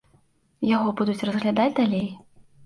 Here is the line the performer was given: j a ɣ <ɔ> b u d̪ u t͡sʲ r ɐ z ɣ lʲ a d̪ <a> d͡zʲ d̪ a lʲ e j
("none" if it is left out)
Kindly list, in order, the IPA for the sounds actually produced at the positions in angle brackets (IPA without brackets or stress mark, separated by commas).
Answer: ɔ, a